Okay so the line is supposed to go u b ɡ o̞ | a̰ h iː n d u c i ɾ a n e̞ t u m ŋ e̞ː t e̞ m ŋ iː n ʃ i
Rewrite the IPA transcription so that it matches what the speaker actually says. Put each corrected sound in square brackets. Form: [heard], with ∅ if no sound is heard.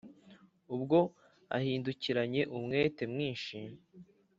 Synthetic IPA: u b ɡ o̞ | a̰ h iː n d u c i ɾ a [ɲ] e̞ [ʔ] u m ŋ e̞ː t e̞ m ŋ iː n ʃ i